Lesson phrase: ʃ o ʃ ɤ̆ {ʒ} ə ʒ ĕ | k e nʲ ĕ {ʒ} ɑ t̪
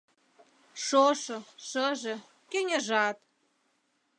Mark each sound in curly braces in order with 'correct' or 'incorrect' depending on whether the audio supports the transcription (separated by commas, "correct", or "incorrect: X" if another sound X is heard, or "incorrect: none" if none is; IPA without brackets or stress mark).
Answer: incorrect: ʃ, correct